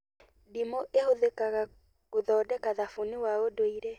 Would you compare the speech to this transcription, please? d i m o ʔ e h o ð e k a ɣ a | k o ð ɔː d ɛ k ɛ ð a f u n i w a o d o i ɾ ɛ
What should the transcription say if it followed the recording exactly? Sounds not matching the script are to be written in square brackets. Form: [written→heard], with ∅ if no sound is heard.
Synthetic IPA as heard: d i m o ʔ e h o ð e k a ɣ a | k o ð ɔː d ɛ k [ɛ→a] ð a f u n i w a o d o i ɾ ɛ